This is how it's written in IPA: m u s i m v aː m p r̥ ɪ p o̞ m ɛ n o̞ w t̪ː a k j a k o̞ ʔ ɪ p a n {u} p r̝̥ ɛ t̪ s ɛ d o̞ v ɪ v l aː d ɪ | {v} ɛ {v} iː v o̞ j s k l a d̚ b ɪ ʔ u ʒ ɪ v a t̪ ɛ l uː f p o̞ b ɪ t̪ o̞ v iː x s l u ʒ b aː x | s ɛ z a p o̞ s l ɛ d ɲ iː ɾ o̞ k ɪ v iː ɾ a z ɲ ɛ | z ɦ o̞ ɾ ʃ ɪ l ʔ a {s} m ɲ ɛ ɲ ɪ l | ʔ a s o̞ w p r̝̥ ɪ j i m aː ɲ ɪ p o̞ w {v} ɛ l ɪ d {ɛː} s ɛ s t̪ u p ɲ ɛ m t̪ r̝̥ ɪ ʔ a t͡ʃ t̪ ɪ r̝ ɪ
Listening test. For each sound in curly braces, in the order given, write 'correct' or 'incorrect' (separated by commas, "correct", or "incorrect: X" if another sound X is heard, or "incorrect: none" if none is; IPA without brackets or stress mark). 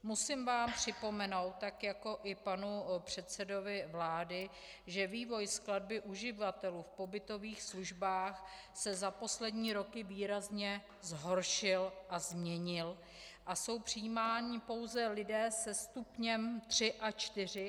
correct, incorrect: ʒ, correct, incorrect: z, incorrect: z, correct